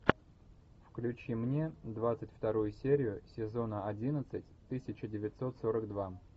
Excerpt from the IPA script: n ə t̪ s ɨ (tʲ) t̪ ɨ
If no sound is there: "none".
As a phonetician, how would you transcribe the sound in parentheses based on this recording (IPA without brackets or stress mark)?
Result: tʲ